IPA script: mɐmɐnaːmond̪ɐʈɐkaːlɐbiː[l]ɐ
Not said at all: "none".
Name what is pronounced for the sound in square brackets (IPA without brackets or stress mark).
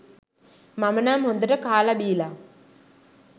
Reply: l